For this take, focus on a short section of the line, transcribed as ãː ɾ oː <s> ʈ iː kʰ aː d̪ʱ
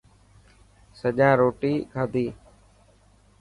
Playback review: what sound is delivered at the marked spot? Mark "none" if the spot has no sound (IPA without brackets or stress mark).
none